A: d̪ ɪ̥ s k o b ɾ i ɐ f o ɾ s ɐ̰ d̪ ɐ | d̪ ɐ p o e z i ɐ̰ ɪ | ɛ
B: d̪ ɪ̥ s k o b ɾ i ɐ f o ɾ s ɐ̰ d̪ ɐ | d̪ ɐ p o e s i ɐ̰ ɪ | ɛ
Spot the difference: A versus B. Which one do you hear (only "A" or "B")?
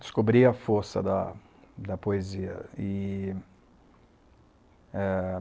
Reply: A